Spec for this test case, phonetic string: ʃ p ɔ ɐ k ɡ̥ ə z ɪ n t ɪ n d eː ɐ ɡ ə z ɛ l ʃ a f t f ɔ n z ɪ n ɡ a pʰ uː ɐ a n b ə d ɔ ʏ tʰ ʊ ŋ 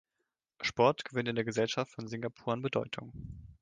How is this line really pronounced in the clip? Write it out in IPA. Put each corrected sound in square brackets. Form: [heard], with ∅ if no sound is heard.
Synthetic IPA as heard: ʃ p ɔ ɐ [t] ɡ̥ ə [v] ɪ n t ɪ n d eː ɐ ɡ ə z ɛ l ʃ a f t f ɔ n z ɪ [ŋ] ɡ a pʰ uː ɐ a n b ə d ɔ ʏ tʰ ʊ ŋ